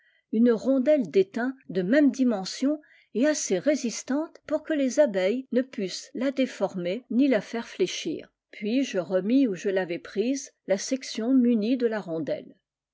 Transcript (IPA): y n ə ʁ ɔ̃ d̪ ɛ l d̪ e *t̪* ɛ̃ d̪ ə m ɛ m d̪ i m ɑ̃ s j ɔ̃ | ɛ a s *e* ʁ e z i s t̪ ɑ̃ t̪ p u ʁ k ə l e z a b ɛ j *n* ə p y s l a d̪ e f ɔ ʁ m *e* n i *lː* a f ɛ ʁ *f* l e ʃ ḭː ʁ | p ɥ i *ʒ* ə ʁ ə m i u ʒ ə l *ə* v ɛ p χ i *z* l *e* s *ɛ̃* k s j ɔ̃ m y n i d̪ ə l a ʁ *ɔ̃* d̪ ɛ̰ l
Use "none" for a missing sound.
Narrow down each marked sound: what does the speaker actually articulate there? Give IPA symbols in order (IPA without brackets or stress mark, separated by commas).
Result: t̪, e, n, e, l, f, ʒ, a, z, a, ɛ, ɔ̃